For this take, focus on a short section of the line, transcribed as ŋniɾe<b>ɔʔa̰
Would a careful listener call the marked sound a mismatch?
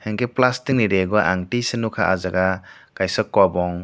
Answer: yes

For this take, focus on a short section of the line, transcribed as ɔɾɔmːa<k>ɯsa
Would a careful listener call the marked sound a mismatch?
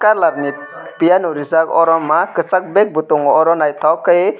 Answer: no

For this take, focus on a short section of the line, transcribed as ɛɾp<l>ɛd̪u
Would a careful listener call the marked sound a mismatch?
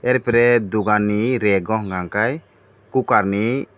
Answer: yes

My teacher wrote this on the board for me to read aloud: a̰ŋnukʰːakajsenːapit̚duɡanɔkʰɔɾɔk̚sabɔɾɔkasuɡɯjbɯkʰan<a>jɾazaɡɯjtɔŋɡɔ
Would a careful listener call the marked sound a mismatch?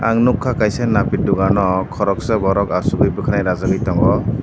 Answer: no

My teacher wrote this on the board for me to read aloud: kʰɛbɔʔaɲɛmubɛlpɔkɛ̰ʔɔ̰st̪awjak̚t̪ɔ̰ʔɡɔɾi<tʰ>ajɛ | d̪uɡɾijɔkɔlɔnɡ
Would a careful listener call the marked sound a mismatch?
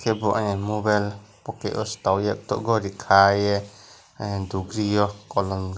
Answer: yes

